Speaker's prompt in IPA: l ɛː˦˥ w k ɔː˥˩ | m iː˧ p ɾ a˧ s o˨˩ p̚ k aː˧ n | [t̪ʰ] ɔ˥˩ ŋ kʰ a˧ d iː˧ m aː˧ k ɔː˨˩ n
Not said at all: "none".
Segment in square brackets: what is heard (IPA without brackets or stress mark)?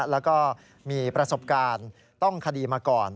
t̪